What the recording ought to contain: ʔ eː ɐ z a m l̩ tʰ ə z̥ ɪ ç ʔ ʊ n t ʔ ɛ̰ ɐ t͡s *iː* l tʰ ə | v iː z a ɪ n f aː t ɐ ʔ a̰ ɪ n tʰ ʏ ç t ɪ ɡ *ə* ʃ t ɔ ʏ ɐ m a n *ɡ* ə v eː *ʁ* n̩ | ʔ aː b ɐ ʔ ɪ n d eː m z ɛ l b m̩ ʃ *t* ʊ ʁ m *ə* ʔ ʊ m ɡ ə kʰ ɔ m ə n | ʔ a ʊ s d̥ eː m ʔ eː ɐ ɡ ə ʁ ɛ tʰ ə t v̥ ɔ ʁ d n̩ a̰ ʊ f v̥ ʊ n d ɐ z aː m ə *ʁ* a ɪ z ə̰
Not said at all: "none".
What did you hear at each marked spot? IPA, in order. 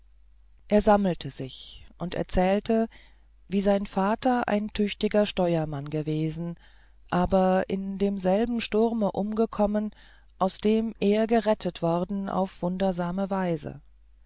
ɛː, ɐ, ɡ, z, t, ə, v

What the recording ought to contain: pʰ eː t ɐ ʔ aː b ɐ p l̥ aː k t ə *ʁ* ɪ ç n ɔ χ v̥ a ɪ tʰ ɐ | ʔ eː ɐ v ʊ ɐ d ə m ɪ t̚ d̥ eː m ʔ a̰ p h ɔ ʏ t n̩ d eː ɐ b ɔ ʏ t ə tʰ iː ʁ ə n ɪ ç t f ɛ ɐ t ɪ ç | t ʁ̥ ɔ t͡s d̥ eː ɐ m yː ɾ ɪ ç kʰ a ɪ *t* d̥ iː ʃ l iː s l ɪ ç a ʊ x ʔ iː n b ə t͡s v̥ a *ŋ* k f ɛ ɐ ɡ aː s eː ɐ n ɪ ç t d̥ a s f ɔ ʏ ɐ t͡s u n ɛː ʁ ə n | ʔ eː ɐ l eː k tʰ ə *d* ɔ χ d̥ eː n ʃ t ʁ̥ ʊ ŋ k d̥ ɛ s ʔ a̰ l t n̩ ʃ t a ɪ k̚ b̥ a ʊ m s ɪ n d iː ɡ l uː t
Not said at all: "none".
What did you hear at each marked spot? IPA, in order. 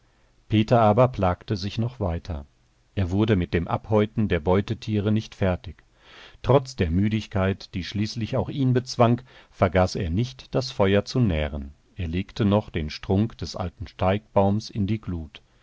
z, t, ŋ, n

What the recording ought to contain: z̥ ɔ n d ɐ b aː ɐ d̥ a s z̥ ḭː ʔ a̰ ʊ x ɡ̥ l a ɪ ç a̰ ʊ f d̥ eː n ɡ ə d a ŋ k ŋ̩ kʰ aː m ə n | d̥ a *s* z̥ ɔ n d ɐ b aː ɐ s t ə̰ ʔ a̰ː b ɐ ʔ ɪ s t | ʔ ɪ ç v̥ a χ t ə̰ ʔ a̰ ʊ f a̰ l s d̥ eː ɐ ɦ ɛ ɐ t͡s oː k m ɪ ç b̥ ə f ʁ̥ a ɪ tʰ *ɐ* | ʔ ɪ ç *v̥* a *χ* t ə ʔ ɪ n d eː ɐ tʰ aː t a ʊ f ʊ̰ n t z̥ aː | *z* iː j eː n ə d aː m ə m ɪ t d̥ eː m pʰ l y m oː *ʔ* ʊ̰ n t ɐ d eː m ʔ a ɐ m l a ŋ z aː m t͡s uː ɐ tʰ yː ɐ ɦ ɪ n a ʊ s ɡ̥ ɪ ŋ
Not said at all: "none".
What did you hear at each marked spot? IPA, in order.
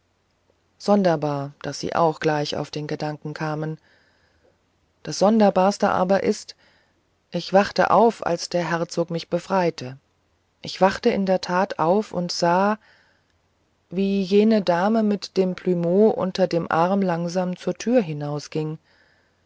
s, ə, v̥, χ, v, ʔ

